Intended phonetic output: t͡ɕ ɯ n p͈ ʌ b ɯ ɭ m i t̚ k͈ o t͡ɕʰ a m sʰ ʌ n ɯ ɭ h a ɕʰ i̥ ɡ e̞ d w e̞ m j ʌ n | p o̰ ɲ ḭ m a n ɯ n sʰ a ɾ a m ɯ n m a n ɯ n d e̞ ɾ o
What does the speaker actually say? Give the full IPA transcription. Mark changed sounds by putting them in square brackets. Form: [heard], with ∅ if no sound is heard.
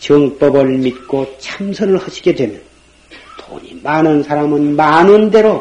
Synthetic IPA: t͡ɕ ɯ [ŋ] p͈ ʌ b ɯ ɭ m i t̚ k͈ o t͡ɕʰ a m sʰ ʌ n ɯ ɭ h a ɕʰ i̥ ɡ e̞ d w e̞ m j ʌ n | [t] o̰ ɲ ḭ m a n ɯ n sʰ a ɾ a m ɯ n m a n ɯ n d e̞ ɾ o